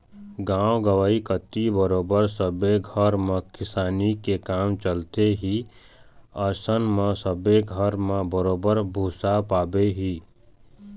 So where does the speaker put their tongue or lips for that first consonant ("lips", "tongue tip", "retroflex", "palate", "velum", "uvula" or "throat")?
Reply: velum